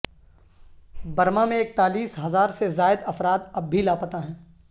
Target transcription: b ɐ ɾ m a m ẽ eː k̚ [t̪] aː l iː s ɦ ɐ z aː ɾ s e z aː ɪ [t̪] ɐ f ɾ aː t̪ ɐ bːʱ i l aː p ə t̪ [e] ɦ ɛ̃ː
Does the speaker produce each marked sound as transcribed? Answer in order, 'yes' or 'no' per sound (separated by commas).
yes, no, no